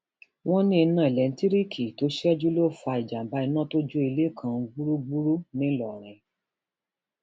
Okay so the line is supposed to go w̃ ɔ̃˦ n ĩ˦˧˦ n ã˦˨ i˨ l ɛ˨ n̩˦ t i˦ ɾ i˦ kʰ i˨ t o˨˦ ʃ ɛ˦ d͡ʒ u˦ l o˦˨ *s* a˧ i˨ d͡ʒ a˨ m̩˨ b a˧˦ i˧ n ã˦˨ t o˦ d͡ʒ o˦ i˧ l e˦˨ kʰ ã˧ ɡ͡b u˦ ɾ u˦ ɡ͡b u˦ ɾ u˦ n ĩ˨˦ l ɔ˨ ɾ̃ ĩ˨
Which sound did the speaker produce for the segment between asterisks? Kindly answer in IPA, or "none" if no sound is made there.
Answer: f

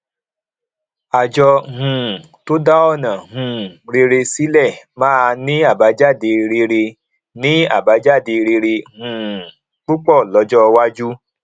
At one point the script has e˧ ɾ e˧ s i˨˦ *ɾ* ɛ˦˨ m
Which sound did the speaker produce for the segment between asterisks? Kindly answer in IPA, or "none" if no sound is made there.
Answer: l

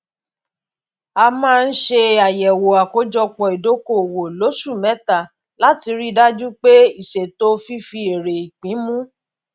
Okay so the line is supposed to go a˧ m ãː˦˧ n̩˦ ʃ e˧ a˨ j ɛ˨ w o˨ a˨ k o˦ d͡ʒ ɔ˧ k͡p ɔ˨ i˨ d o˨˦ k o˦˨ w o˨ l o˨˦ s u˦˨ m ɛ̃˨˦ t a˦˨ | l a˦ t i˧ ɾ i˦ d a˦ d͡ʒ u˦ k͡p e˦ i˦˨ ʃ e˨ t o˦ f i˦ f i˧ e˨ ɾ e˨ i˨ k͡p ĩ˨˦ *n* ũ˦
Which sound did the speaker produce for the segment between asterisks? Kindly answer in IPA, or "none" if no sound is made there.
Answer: m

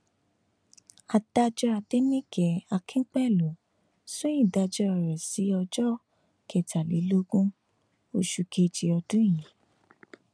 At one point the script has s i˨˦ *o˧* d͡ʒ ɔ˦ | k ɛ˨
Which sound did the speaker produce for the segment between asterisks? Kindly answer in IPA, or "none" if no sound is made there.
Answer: ɔ˧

